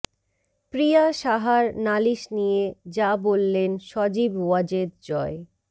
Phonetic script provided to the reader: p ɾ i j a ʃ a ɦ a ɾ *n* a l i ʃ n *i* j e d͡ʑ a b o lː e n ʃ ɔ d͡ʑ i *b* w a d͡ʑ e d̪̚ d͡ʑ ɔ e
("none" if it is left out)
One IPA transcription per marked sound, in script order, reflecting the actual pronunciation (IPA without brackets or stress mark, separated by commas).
n, i, b